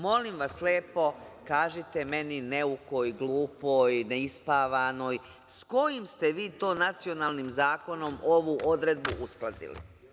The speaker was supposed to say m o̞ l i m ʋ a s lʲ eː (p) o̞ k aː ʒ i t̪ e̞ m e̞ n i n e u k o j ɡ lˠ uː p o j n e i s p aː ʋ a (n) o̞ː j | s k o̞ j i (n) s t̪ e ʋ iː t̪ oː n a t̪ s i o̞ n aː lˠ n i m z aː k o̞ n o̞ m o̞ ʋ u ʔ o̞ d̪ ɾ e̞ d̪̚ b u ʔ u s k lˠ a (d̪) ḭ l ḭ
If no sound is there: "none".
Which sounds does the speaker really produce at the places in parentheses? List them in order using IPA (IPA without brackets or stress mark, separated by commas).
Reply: p, n, m, d̪